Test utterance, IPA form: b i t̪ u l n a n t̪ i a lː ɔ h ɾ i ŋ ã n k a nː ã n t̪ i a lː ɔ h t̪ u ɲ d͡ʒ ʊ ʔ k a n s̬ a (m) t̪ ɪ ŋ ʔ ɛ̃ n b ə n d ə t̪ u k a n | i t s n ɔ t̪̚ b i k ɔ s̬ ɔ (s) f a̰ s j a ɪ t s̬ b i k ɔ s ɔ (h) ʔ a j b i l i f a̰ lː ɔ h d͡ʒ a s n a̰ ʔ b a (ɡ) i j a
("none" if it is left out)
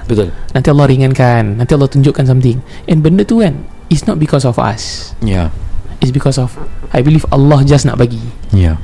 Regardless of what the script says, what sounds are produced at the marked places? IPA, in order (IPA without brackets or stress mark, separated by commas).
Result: m, none, f, ɡ